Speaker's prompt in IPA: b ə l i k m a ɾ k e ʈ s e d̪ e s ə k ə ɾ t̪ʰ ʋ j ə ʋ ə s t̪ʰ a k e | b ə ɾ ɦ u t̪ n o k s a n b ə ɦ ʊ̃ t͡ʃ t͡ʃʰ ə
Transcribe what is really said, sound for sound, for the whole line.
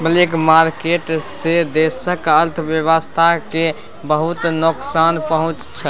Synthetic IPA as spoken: b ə l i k m a ɾ k e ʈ s e d̪ e s ə k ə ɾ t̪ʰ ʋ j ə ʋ ə s t̪ʰ a k e | b ə ɦ u t̪ n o k s a n p ə ɦ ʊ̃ t͡ʃ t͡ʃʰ ə